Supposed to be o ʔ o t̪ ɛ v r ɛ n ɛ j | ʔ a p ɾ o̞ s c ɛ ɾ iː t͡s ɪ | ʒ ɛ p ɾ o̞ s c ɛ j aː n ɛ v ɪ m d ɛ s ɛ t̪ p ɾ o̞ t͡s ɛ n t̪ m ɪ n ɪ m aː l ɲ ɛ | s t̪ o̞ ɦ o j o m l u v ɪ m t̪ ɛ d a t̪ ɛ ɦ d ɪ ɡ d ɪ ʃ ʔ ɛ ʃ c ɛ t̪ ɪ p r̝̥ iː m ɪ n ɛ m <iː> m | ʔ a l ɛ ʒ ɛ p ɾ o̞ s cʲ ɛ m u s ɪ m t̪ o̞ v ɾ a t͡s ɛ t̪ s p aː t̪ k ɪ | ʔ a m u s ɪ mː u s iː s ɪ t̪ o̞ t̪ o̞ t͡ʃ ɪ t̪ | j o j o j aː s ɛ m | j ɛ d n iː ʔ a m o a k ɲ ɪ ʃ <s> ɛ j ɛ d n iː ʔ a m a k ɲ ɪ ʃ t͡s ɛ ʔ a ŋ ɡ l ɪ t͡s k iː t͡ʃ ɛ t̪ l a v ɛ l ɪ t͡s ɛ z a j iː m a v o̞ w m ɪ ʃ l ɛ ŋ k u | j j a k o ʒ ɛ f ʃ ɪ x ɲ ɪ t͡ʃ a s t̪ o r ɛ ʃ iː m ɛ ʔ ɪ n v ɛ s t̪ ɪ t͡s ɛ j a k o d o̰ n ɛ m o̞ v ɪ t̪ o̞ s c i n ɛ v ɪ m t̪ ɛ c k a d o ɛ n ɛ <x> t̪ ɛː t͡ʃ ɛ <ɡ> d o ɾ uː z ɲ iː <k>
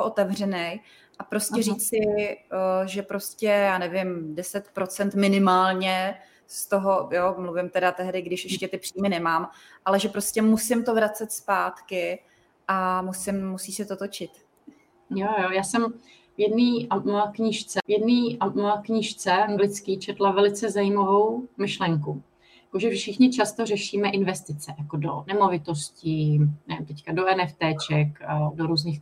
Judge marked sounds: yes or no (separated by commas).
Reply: no, no, no, no, no